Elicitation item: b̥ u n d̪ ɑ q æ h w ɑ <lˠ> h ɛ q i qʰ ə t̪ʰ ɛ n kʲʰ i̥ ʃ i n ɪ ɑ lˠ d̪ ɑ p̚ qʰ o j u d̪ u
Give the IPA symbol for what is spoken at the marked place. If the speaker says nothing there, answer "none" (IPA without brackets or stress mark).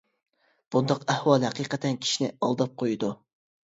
lˠ